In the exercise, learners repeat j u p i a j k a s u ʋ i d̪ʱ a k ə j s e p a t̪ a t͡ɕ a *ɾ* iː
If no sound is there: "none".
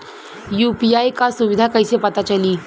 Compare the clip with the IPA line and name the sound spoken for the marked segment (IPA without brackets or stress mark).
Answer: l